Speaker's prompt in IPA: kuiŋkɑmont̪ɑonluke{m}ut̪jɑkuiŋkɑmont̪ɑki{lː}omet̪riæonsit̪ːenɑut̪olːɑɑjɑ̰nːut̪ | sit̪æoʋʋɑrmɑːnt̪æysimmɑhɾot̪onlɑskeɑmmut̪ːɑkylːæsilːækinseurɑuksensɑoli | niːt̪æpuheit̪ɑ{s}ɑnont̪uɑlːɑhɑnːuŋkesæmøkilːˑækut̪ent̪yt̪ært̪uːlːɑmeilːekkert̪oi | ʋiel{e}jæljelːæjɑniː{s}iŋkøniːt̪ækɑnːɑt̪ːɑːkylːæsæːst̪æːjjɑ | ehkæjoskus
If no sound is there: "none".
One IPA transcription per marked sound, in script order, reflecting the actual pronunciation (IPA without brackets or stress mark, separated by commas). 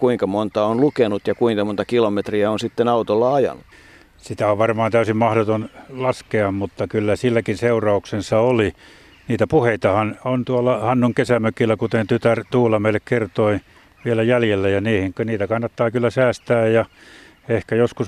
n, l, h, æ, h